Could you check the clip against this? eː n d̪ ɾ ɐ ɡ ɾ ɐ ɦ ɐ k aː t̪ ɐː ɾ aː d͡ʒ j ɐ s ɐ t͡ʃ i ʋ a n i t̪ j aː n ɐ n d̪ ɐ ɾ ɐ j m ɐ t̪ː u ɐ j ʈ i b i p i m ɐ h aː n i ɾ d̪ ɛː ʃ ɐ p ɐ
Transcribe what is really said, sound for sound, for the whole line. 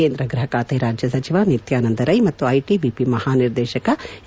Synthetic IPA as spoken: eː n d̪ ɾ ɐ ɡ ɾ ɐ ɦ ɐ k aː t̪ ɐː ɾ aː d͡ʒ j ɐ s ɐ t͡ʃ i ʋ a n i t̪ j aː n ɐ n d̪ ɐ ɾ ɐ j m ɐ t̪ː u ɐ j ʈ i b i p i m ɐ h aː n i ɾ d̪ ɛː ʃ ɐ k ɐ